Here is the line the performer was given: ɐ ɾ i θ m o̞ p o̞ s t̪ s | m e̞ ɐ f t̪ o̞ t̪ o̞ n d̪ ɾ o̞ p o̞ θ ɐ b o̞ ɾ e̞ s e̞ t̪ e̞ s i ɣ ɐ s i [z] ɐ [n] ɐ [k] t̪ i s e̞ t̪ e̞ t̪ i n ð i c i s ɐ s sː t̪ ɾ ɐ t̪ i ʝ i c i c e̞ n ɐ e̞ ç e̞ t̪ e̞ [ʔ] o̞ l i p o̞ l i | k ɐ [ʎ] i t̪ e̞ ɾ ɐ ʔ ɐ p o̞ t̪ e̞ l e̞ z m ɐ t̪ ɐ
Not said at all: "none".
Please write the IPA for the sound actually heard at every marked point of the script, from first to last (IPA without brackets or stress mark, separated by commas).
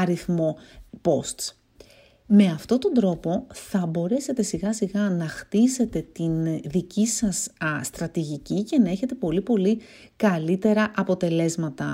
ɣ, n, x, p, l